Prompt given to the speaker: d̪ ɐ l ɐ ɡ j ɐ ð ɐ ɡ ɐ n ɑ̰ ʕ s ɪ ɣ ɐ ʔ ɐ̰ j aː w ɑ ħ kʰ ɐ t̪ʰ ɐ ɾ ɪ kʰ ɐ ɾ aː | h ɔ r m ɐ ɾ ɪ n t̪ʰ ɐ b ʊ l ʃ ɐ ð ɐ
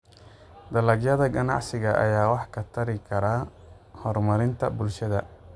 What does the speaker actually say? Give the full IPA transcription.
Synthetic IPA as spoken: d̪ ɐ l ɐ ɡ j ɐ ð ɐ ɡ ɐ n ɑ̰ ʕ s ɪ ɣ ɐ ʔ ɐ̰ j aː w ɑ ħ kʰ ɐ t̪ʰ ɐ ɾ ɪ kʰ ɐ ɾ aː | h ɔ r m ɐ ɾ ɪ n t̪ʰ ɐ b ʊ l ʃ ɐ ð ɐ